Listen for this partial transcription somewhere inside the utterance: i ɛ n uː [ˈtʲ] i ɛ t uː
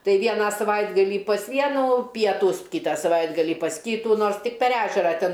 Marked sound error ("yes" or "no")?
yes